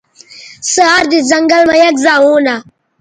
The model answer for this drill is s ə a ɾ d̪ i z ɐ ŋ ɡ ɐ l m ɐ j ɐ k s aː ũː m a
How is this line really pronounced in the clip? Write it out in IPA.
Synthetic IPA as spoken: s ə a ɾ d̪ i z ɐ ŋ ɡ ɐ l m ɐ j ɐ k z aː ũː n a